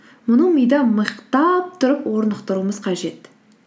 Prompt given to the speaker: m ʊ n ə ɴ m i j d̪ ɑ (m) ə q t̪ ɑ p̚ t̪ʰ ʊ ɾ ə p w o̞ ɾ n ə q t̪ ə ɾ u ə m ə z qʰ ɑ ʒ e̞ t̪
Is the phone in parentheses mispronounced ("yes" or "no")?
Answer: no